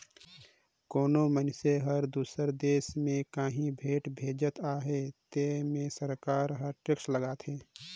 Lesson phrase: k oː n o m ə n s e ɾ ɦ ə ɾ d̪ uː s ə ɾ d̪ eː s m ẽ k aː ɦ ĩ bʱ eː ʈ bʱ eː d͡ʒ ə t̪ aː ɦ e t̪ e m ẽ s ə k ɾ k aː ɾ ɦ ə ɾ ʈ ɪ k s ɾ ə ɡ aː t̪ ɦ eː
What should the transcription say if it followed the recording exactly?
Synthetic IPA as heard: k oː n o m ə n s e ɦ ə ɾ d̪ uː s ə ɾ d̪ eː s m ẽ k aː ɦ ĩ bʱ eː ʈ bʱ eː d͡ʒ ə t̪ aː ɦ e t̪ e m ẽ s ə ɾ k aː ɾ ɦ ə ɾ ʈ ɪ k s l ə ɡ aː t̪ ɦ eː